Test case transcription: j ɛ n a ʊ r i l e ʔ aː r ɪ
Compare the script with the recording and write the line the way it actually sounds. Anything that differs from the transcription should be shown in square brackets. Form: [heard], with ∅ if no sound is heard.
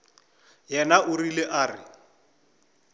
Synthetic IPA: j ɛ n a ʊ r i l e ʔ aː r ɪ